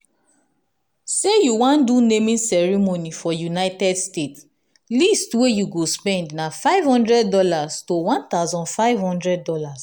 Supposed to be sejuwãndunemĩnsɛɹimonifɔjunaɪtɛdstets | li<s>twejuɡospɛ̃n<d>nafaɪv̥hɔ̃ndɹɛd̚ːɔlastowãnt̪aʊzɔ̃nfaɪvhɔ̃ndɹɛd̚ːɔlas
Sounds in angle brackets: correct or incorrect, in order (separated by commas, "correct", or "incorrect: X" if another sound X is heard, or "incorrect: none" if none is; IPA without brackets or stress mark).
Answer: correct, correct